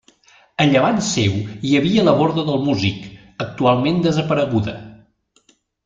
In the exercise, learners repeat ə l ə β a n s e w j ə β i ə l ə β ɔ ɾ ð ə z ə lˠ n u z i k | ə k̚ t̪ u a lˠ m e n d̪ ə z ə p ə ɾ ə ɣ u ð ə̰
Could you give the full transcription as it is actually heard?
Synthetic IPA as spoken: ə ʎ ə β a n s e w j ə β i ə l ə β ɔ ɾ ð ə ð ə lˠ m u z i k | ə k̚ t̪ u a lˠ m e n d̪ ə z ə p ə ɾ ə ɣ u ð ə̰

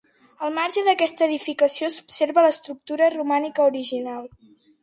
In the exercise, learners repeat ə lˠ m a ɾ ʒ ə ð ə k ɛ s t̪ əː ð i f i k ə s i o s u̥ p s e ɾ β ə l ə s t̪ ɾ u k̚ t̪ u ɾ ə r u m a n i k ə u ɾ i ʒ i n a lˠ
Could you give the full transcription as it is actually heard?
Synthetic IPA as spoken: ə lˠ m a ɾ ʒ ə ð ə k ɛ s t̪ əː ð i f i k ə s i o s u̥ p s e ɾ β ə l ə s t̪ ɾ u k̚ t̪ u ɾ ə r u m a n i k ə u ɾ i ʒ i n a lˠ

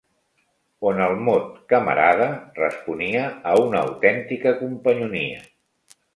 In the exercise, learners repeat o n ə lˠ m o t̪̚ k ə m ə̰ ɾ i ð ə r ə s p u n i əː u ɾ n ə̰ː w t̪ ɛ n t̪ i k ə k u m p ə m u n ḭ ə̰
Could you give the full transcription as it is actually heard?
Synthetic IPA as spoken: o n ə lˠ m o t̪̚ k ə m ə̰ ɾ a ð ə r ə s p u n i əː u n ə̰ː w t̪ ɛ n t̪ i k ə k u m p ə ɲ u n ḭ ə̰

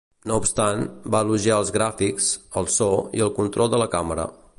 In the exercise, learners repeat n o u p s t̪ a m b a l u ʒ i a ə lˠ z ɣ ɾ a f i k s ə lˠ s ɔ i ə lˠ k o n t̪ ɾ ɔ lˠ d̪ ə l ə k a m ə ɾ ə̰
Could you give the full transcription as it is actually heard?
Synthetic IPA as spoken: n o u p s t̪ a n b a l u ʒ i a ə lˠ z ɣ ɾ a f i k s ə lˠ s ɔ i ə lˠ k u n t̪ ɾ ɔ lˠ d̪ ə l ə k a m ə ɾ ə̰

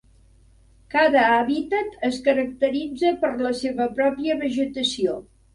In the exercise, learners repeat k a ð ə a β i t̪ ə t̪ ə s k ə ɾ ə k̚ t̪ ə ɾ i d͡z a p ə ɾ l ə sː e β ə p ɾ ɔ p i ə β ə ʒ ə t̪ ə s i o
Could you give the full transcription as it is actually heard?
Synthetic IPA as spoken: k a ð ə a β i t̪ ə t̪ ə s k ə ɾ ə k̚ t̪ ə ɾ i d͡z ə p ə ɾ l ə s e β ə p ɾ ɔ p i ə β ə ʒ ə t̪ ə s i o

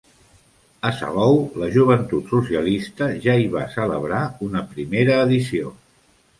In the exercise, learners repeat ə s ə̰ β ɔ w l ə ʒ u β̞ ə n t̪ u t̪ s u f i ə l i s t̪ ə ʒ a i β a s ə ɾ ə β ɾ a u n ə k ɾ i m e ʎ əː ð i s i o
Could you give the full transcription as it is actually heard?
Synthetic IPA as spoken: ə s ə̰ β ɔ w l ə ʒ u β̞ ə n t̪ u t̪ s u s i ə l i s t̪ ə ʒ a i β a s ə l ə β ɾ a u n ə p ɾ i m e ɾ əː ð i s i o

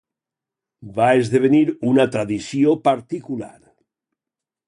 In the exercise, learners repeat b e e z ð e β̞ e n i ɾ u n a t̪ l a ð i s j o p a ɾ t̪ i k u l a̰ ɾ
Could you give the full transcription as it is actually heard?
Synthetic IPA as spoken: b a e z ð e β̞ e n i ɾ u n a t̪ ɾ a ð i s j o p a ɾ t̪ i k u l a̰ ɾ

